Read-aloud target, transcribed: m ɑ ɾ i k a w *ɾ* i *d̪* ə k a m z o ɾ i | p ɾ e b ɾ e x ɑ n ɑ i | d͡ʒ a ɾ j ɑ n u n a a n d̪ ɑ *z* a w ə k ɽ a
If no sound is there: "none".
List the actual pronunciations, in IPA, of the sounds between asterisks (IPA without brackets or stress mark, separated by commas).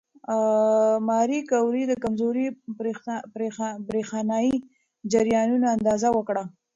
ɾ, d̪, z